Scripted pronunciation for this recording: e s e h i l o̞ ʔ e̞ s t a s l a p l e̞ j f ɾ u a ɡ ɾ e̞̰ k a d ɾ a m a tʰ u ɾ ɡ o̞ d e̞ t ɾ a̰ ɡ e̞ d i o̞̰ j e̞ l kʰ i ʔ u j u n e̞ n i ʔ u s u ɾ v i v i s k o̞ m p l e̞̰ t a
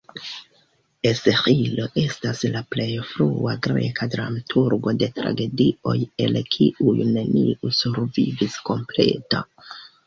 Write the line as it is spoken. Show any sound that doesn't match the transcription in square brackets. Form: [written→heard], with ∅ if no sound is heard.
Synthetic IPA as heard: e s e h i l o̞ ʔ e̞ s t a s l a p l e̞ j f ɾ u a ɡ ɾ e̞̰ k a d ɾ a m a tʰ u ɾ ɡ o̞ d e̞ t ɾ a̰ ɡ e̞ d i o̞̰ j e̞ l kʰ i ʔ u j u n e̞ n i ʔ u s u ɾ v i v i s k o̞ m p l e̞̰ t a